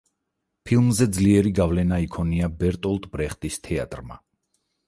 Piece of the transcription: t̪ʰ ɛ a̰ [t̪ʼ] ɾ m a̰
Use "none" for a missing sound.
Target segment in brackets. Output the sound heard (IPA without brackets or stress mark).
t̪ʼ